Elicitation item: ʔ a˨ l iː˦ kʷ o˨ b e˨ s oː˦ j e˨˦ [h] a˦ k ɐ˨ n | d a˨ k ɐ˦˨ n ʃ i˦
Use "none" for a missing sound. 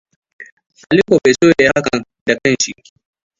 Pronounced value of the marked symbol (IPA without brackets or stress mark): h